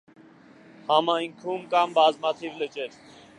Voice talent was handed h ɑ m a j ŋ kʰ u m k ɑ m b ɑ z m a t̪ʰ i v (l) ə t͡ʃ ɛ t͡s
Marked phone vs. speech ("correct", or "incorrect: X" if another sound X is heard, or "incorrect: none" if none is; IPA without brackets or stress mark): correct